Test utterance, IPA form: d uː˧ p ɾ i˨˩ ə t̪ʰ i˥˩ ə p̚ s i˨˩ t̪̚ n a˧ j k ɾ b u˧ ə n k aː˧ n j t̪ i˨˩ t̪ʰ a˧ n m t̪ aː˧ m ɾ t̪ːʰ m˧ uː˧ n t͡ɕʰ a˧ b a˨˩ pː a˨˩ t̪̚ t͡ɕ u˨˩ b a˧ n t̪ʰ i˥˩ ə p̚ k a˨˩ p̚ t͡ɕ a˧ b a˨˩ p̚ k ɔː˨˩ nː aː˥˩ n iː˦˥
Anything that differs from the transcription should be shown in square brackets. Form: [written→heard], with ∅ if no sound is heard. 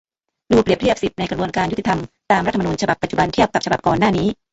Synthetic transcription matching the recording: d uː˧ p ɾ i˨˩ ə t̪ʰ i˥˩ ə p̚ s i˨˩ t̪̚ n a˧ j k ɾ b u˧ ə n k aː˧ n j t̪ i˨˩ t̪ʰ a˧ [n→∅] m t̪ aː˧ m ɾ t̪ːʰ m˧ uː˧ n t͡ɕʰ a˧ b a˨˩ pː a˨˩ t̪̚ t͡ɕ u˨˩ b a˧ n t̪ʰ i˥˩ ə p̚ k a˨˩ p̚ t͡ɕ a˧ b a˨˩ p̚ k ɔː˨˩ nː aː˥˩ n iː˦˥